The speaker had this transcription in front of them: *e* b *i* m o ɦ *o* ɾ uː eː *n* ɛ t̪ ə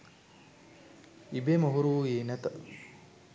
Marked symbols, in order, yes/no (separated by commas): no, no, no, yes